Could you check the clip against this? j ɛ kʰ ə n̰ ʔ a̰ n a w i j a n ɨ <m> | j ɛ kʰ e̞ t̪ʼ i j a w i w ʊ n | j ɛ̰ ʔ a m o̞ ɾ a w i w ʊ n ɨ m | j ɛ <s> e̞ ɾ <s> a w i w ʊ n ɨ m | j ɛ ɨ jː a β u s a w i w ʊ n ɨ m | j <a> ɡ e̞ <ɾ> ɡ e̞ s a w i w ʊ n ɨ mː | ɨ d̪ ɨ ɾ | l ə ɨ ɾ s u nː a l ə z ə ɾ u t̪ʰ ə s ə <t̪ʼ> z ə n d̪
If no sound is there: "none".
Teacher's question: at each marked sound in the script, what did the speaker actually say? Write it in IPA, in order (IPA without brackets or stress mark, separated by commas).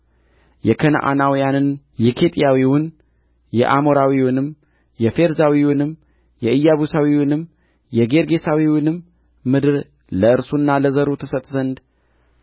n, f, z, ɛ, ɾ, t̪ʼ